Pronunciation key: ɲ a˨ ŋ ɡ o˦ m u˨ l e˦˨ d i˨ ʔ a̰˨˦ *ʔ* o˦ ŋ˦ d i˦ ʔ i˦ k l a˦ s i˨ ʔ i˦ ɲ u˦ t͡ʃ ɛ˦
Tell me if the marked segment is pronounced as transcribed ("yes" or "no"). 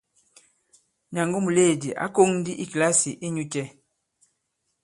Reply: no